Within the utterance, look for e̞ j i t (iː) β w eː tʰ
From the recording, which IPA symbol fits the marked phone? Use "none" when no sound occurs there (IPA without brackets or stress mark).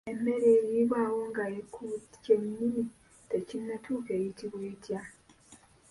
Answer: i